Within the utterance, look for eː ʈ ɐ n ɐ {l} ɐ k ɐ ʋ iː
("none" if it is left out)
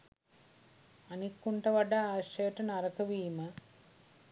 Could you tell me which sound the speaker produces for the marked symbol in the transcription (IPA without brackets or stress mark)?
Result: ɾ